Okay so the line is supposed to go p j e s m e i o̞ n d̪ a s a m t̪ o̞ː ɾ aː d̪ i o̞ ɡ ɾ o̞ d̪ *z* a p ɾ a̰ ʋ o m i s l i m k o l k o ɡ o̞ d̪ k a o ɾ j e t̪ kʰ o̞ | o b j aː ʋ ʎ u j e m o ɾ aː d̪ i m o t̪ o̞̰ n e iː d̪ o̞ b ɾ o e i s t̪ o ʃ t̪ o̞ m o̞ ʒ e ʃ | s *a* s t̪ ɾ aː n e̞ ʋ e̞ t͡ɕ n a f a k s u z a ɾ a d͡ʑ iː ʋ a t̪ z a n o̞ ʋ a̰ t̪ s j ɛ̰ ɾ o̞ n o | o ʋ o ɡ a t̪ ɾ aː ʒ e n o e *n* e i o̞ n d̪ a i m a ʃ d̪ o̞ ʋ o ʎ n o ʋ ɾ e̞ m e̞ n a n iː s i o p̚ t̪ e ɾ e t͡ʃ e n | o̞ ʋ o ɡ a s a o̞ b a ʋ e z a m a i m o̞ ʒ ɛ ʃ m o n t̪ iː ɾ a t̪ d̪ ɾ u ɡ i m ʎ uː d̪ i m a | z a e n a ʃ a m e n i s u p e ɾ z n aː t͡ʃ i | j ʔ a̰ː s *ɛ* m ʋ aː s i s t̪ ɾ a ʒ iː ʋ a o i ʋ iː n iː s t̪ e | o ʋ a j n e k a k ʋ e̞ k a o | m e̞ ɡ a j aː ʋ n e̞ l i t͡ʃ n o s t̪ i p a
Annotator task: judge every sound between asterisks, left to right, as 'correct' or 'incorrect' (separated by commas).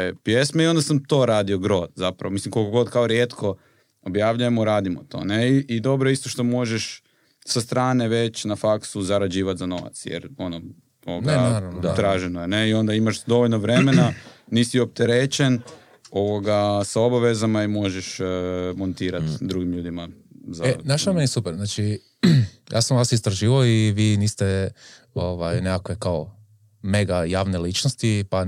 correct, correct, correct, incorrect